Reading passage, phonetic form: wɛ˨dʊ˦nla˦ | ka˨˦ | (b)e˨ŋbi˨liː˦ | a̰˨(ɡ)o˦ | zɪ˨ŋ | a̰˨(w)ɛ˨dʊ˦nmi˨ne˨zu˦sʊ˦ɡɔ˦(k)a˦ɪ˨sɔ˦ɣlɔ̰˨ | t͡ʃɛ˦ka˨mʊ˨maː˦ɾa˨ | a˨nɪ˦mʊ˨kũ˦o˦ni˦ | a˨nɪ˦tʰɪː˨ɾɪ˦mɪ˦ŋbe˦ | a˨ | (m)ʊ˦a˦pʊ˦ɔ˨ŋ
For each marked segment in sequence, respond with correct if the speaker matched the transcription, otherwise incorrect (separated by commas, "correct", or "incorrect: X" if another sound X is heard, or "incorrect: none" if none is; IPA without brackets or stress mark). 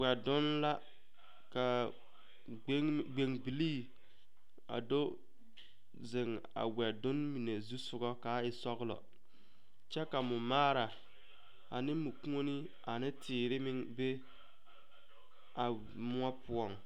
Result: incorrect: ɡ͡b, incorrect: d, correct, correct, correct